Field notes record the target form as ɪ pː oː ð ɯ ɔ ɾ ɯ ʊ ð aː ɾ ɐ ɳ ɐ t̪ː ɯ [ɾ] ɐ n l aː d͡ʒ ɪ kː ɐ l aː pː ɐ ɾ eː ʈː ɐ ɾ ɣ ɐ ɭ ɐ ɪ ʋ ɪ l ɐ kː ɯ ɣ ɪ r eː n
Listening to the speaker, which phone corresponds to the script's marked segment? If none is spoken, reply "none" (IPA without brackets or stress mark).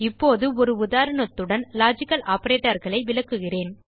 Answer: ɽ